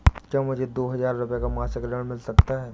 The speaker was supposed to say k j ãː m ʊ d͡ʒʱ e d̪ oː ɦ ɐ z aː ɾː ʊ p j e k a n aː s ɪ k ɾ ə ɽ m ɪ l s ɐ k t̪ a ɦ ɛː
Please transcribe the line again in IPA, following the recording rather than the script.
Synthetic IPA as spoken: k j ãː m ʊ d͡ʒʱ e d̪ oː ɦ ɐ z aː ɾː ʊ p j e k a m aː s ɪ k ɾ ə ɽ m ɪ l s ɐ k t̪ a ɦ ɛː

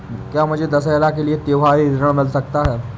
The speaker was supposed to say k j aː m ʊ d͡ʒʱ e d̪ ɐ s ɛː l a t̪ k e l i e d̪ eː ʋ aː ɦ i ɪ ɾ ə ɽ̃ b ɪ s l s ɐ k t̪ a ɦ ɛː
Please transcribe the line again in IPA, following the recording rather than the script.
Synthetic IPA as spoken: k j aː m ʊ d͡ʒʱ e d̪ ɐ s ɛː l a k e l i e t̪ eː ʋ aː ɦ i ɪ ɾ ə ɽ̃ m ɪ l s ɐ k t̪ a ɦ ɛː

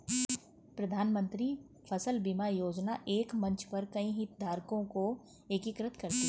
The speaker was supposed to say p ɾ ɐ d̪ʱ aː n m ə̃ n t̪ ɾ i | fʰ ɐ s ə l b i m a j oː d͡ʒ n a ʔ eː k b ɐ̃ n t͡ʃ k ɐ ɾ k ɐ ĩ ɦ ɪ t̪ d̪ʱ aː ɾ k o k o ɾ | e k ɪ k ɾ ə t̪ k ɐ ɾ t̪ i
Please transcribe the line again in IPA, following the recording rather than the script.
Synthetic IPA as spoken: p ɾ ɐ d̪ʱ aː n m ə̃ n t̪ ɾ i | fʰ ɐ s ə l b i m a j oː d͡ʒ n a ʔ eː k m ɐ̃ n t͡ʃ p ɐ ɾ k ɐ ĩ ɦ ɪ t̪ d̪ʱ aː ɾ k õ k o | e k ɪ k ɾ ə t̪ k ɐ ɾ t̪ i

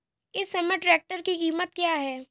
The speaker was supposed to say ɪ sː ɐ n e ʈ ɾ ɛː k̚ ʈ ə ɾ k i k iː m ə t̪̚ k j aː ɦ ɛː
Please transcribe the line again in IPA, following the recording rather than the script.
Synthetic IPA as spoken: ɪ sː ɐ m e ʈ ɾ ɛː k̚ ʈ ə ɾ k i k iː m ə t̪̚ k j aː ɦ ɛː

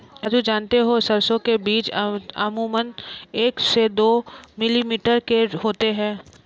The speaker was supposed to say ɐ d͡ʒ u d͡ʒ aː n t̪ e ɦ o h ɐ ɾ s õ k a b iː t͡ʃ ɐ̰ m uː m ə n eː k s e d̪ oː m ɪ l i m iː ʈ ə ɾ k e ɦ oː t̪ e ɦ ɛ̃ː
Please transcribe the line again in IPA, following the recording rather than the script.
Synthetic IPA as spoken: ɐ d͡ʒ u d͡ʒ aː n t̪ e ɦ o s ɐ ɾ s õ k e b iː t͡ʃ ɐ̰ m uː m ə n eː k s e d̪ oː m ɪ l i m iː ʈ ə ɾ k e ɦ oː t̪ e ɦ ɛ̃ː

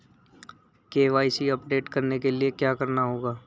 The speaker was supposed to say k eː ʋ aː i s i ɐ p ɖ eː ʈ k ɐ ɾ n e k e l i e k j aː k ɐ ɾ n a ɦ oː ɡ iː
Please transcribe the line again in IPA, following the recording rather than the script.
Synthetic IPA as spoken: k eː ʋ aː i s i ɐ p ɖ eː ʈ k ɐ ɾ n e k e l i e k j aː k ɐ ɾ n a ɦ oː ɡ aː

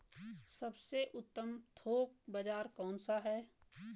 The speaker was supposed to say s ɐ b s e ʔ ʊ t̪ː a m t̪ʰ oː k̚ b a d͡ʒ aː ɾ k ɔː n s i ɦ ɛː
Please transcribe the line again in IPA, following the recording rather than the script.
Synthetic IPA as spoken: s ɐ b s e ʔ ʊ t̪ː ə m t̪ʰ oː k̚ b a d͡ʒ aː ɾ k ɔː n s a ɦ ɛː

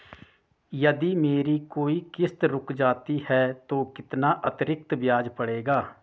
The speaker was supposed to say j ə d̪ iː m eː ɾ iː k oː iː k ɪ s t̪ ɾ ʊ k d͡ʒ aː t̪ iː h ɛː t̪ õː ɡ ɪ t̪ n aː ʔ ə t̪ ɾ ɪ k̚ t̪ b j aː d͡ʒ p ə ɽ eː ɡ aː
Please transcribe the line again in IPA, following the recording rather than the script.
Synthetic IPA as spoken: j ə d̪ iː m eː ɾ iː k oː iː k ɪ s t̪ ɾ ʊ k d͡ʒ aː t̪ iː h ɛː t̪ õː k ɪ t̪ n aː ʔ ə t̪ ɾ ɪ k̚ t̪ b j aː d͡ʒ p ə ɽ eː ɡ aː

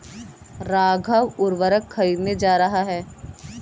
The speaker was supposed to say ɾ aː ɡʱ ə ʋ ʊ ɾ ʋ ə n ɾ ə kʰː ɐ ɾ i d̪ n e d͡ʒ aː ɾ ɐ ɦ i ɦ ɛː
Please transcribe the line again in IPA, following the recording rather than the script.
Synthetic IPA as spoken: ɾ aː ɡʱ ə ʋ ʊ ɾ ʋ ə ɾ ə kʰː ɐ ɾ iː d̪ n e d͡ʒ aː ɾ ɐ ɦ a ɦ ɛː

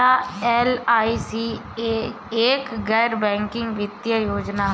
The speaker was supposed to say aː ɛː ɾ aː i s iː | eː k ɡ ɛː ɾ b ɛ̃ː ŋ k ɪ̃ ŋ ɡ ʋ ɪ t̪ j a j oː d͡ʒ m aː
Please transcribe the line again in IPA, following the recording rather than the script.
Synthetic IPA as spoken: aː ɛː l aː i s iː | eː k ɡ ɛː ɾ b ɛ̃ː ŋ k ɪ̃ ŋ ɡ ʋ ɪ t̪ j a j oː d͡ʒ n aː

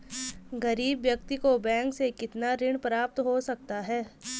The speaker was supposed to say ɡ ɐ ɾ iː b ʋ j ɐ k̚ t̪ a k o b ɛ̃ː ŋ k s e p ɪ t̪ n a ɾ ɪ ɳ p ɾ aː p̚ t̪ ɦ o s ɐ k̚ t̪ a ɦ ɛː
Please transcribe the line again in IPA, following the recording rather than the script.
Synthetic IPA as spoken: ɡ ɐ ɾ iː b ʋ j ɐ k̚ t̪ i k o b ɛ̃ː ŋ k s e k ɪ t̪ n a ɾ ɪ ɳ p ɾ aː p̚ t̪ ɦ o s ɐ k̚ t̪ a ɦ ɛː

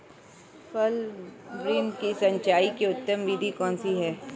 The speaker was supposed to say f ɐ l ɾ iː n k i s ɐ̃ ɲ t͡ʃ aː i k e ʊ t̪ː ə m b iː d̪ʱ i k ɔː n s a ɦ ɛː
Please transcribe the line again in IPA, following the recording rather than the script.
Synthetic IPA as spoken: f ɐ l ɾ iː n k i s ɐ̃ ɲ t͡ʃ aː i k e ʊ t̪ː ə m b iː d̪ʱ i k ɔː n s i ɦ ɛː

